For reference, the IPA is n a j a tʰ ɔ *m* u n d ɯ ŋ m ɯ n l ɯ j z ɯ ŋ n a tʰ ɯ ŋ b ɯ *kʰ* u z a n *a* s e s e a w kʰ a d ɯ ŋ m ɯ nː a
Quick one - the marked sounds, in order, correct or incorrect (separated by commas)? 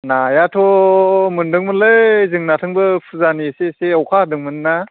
correct, incorrect, incorrect